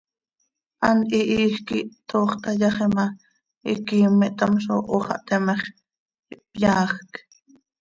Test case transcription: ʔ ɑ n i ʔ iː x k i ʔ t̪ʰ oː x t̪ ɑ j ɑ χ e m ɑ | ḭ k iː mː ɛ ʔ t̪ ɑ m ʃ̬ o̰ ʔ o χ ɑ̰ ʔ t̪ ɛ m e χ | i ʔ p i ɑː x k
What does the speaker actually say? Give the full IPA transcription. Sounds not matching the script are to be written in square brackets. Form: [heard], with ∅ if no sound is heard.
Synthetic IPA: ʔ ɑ n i ʔ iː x k i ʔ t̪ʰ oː [χ] t̪ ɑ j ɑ χ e m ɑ | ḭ k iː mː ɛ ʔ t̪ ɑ m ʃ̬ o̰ ʔ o χ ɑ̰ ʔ t̪ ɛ m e χ | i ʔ p [j] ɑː x k